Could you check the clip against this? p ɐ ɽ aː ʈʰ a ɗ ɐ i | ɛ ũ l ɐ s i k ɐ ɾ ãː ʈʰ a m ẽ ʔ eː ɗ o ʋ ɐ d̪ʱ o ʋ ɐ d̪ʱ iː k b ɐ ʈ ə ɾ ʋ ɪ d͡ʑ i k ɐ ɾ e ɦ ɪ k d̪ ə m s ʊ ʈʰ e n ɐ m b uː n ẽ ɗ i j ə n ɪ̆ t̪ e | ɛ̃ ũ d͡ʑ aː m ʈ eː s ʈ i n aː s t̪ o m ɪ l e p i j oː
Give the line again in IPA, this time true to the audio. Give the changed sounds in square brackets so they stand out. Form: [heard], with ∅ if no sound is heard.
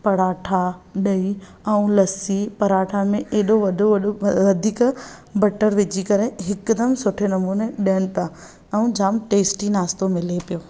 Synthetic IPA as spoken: p ɐ ɽ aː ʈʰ a ɗ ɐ i | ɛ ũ l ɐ s i [p] ɐ ɾ [aː] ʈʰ a m ẽ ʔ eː ɗ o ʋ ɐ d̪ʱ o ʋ ɐ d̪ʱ iː k b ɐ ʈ ə ɾ ʋ ɪ d͡ʑ i k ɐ ɾ e ɦ ɪ k d̪ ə m s ʊ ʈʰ e n ɐ m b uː n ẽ ɗ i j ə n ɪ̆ t̪ [a] | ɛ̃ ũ d͡ʑ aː m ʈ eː s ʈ i n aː s t̪ o m ɪ l e p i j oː